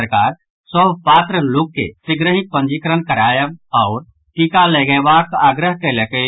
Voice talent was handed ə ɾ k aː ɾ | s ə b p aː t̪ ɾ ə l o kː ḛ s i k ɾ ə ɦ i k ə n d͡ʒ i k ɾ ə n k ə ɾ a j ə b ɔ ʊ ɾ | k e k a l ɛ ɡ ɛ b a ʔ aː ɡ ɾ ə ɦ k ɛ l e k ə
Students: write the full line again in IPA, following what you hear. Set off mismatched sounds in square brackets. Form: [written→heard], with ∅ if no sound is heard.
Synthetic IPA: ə ɾ k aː ɾ | s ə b p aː t̪ ɾ ə l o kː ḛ s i [k→ɡ] ɾ ə ɦ i [k→p] ə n d͡ʒ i k ɾ ə n k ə ɾ a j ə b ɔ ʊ ɾ | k [e→i] k a l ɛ ɡ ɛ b a [ʔ→k] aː ɡ ɾ ə ɦ k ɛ l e k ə